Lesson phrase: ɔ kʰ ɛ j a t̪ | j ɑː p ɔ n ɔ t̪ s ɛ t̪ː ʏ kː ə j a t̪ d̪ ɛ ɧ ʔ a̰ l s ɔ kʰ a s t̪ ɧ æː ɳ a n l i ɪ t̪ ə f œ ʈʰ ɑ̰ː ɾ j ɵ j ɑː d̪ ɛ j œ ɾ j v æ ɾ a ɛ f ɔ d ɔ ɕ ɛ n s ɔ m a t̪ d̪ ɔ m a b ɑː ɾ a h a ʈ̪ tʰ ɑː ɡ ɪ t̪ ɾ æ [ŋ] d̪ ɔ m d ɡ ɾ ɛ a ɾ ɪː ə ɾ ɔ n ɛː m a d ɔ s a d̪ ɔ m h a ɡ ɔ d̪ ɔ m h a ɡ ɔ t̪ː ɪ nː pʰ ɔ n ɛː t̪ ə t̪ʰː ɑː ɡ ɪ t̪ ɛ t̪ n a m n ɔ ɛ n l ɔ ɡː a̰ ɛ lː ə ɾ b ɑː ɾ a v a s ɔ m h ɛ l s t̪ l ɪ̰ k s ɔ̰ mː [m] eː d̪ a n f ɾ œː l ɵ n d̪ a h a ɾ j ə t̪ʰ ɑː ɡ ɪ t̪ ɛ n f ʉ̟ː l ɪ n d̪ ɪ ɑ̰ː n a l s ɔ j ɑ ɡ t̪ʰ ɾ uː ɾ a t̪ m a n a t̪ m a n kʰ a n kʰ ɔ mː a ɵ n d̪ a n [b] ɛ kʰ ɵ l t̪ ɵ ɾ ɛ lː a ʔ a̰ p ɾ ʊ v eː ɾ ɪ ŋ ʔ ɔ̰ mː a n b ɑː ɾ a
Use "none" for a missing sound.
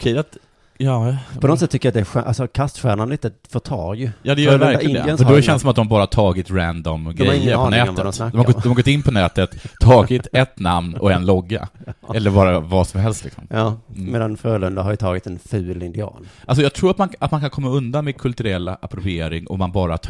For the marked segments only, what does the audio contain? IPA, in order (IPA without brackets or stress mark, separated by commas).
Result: n, m, m